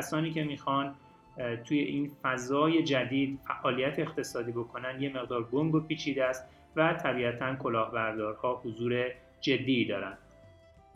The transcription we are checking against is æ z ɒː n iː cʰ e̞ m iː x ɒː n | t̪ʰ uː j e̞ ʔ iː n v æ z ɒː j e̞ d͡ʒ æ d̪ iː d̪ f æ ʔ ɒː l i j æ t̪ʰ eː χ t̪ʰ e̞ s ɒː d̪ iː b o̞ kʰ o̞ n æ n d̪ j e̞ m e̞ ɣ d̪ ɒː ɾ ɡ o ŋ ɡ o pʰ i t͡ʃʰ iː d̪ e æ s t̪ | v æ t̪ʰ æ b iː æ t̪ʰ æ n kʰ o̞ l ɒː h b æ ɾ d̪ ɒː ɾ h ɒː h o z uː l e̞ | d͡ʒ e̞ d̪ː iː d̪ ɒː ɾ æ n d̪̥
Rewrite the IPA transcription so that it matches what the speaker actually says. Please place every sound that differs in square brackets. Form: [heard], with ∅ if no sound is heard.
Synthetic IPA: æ [s] ɒː n iː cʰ e̞ m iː x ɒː n | t̪ʰ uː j e̞ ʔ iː n [f] æ z ɒː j e̞ d͡ʒ æ d̪ iː d̪ f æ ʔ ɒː l i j æ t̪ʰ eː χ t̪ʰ e̞ s ɒː d̪ iː b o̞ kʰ o̞ n æ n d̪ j e̞ m e̞ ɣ d̪ ɒː ɾ ɡ o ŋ ɡ o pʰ [iː] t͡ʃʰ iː d̪ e æ s t̪ | v æ t̪ʰ æ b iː æ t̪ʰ æ n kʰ o̞ l ɒː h b æ ɾ d̪ ɒː ɾ h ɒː h o z uː [ɾ] e̞ | d͡ʒ e̞ d̪ː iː d̪ ɒː ɾ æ n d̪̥